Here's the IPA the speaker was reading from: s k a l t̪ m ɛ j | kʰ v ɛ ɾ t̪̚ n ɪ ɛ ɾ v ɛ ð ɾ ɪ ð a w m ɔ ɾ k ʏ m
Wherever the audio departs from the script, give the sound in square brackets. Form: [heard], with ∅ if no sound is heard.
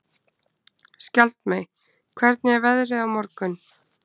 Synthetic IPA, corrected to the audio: s [c] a l t̪ m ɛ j | kʰ v ɛ ɾ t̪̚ n ɪ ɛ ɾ v ɛ ð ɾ ɪ ð a w m ɔ ɾ k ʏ [n]